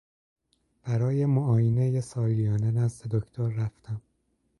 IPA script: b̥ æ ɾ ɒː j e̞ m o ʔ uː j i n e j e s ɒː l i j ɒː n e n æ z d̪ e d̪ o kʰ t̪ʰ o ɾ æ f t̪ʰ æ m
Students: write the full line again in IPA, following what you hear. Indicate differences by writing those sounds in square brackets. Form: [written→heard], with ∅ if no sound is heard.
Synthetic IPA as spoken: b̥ æ ɾ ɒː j e̞ m o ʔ [uː→ɒː] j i n e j e s ɒː l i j ɒː n e n æ z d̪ e d̪ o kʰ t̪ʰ o [ɾ→ɾː] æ f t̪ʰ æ m

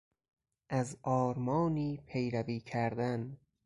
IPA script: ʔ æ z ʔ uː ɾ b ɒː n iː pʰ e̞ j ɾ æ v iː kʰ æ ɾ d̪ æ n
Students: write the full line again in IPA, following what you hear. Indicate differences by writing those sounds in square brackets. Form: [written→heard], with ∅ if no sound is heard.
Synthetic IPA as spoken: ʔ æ z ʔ [uː→ɒː] ɾ [b→m] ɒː n iː pʰ e̞ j ɾ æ v iː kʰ æ ɾ d̪ æ n

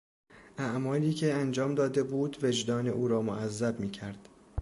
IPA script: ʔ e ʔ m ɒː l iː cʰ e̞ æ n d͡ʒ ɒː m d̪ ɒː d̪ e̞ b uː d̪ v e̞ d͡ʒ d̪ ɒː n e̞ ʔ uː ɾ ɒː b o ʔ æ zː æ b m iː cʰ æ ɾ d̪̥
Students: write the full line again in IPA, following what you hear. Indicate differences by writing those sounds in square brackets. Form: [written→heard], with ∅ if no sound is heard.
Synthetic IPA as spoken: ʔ [e→æ] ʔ m ɒː l iː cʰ e̞ æ n d͡ʒ ɒː m d̪ ɒː d̪ e̞ b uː d̪ v e̞ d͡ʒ d̪ ɒː n e̞ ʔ uː ɾ ɒː [b→m] o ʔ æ zː æ b m iː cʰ æ ɾ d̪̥

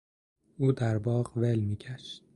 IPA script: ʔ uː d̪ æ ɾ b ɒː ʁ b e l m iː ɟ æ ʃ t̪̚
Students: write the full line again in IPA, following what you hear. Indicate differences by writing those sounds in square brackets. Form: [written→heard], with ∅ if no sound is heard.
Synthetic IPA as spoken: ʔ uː d̪ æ ɾ b ɒː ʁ [b→v] e l m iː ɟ æ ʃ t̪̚

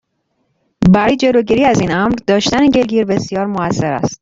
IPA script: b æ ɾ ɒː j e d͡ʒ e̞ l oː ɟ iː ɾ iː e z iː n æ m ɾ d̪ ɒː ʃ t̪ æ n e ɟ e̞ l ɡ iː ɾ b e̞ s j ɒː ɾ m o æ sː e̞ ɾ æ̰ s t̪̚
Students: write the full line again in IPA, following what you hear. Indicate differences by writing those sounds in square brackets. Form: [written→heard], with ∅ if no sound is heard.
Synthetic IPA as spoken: b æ ɾ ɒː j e d͡ʒ e̞ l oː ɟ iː ɾ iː [e→æ] z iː n æ m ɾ d̪ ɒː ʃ t̪ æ n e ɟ e̞ l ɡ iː ɾ b e̞ s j ɒː ɾ m o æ sː e̞ ɾ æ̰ s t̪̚

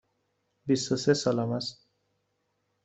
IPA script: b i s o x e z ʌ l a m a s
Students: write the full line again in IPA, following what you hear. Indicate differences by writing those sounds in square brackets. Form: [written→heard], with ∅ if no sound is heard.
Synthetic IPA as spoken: b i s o [x→s] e [z→s] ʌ l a m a s

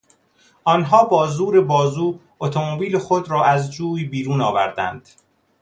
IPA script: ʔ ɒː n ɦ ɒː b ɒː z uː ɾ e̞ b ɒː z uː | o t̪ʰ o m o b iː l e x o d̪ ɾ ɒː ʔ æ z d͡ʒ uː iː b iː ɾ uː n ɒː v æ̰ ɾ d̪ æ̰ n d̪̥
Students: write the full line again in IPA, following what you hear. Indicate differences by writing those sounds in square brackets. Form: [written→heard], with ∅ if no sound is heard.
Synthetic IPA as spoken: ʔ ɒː n ɦ ɒː b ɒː z uː ɾ e̞ b ɒː z uː | o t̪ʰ o m o b iː l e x o d̪ ɾ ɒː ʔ æ z d͡ʒ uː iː b iː ɾ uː n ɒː v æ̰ ɾ d̪ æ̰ n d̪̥

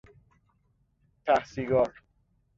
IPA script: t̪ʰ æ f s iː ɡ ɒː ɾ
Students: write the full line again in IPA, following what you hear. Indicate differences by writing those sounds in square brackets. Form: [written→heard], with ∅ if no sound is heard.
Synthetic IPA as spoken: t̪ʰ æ [f→h] s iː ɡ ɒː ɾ

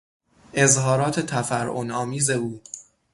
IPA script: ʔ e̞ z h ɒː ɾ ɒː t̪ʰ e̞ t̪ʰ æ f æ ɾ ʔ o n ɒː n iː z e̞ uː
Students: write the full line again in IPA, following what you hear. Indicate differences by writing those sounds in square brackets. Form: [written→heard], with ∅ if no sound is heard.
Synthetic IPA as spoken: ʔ e̞ z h ɒː ɾ ɒː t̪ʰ e̞ t̪ʰ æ f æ ɾ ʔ o n ɒː [n→m] iː z e̞ uː

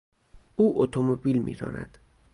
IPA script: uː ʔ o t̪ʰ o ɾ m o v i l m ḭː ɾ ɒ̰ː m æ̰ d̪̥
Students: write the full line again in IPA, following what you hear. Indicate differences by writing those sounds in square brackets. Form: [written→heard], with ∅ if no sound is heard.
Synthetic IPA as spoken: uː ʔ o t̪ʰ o [ɾ→∅] m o [v→b] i l m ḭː ɾ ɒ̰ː [m→n] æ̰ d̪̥

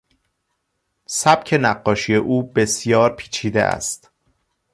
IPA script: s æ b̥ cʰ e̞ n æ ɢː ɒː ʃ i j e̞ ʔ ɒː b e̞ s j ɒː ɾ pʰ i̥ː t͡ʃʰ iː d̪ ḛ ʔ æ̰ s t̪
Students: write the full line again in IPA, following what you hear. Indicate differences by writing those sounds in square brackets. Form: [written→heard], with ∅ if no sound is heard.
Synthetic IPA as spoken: s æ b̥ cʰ e̞ n æ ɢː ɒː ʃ i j e̞ ʔ [ɒː→uː] b e̞ s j ɒː ɾ pʰ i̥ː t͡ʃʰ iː d̪ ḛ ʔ æ̰ s t̪

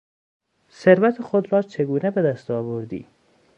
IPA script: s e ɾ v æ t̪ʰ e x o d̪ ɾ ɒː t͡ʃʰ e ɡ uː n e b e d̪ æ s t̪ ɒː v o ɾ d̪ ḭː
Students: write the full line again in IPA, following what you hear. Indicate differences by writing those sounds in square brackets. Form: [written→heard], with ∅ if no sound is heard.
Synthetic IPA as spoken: s e ɾ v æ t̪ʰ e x o d̪ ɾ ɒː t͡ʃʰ e ɡ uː n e b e d̪ æ s t̪ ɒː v o ɾ d̪ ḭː

